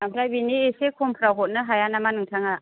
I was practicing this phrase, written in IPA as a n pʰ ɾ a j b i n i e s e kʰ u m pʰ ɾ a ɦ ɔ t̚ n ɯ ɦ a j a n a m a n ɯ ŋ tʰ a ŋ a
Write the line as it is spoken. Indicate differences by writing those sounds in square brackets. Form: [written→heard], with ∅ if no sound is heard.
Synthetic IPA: a [n→m] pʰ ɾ a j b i n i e s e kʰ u m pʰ ɾ a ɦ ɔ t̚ n ɯ ɦ a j a n a m a n ɯ ŋ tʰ a ŋ a